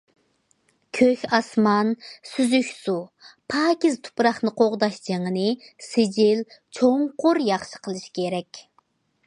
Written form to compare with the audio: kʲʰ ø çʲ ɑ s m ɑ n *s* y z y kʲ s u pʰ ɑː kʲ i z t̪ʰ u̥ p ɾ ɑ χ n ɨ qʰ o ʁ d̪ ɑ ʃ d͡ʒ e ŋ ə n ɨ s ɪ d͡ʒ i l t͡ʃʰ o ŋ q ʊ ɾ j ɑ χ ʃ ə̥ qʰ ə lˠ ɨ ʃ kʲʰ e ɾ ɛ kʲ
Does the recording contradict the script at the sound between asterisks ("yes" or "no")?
no